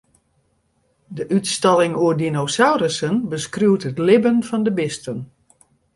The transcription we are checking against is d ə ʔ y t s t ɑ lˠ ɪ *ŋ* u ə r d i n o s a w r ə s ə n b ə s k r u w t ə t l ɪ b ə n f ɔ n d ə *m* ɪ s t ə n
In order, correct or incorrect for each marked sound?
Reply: correct, incorrect: b

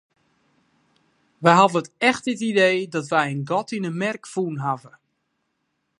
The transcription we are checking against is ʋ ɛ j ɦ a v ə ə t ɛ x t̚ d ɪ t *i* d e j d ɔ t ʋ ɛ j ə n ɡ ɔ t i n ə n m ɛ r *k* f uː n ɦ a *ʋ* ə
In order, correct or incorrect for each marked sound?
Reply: correct, correct, incorrect: v

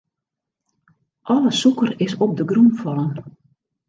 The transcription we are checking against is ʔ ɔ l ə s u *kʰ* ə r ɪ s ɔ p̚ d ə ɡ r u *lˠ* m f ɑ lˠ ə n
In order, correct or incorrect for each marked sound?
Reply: incorrect: k, incorrect: none

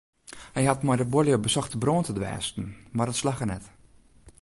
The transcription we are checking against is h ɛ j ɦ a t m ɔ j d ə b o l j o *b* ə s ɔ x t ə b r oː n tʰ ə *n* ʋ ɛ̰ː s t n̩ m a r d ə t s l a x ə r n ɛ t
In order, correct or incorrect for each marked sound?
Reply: correct, incorrect: d

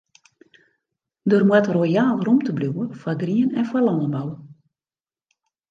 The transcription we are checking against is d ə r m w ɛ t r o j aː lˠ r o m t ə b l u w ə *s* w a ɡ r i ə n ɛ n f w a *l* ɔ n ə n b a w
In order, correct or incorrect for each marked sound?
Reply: incorrect: f, correct

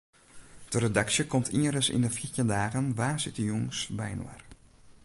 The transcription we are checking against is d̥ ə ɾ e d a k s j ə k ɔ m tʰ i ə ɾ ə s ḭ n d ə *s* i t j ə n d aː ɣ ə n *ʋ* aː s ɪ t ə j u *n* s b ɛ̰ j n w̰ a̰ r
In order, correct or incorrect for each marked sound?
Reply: incorrect: f, correct, incorrect: ŋ

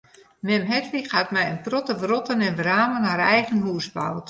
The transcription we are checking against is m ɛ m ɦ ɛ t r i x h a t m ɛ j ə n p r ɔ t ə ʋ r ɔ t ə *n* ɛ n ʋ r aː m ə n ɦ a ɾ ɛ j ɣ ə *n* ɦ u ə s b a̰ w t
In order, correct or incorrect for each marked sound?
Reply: correct, correct

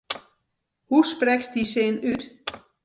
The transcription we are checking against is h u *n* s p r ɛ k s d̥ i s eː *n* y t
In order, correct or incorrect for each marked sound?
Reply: incorrect: none, correct

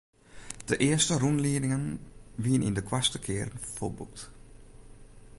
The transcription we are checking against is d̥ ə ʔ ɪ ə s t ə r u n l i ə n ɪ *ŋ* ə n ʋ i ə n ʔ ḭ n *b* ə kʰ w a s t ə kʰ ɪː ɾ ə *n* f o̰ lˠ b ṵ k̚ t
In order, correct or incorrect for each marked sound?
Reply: correct, incorrect: d, correct

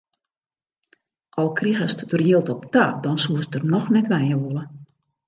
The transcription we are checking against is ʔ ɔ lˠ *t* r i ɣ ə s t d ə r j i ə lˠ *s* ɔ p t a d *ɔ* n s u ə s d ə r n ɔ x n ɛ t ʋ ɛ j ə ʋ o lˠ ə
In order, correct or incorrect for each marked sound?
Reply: incorrect: k, incorrect: t, correct

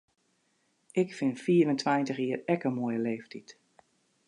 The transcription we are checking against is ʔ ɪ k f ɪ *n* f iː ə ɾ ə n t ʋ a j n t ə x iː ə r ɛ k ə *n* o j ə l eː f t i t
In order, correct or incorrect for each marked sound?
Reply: correct, incorrect: m

